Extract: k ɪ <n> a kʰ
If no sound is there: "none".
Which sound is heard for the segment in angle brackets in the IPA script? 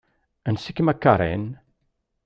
m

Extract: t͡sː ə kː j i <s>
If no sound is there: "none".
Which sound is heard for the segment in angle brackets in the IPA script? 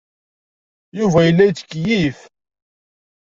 f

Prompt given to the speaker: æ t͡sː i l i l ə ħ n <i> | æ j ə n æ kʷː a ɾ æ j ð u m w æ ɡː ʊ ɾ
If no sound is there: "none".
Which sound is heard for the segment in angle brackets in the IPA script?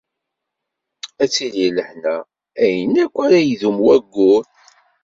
æ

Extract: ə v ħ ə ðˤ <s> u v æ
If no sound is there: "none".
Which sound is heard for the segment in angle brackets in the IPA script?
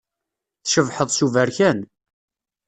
s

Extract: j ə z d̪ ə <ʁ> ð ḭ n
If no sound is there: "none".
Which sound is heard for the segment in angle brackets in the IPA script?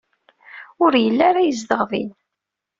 ʁ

